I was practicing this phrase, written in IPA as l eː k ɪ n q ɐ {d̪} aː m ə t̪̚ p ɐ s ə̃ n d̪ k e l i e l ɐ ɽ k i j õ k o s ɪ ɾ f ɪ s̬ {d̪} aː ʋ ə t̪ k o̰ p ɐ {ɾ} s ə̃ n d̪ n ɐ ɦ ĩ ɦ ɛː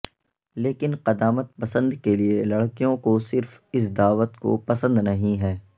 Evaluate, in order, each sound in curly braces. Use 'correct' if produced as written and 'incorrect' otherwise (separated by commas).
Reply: correct, correct, incorrect